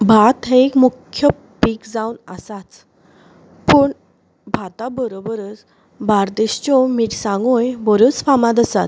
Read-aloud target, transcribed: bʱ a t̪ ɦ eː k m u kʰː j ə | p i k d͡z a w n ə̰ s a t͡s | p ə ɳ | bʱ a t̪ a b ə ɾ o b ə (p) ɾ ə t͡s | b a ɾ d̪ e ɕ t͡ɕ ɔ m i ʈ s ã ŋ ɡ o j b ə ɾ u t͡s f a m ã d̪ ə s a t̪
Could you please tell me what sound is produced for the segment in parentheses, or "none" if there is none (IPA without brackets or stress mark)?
none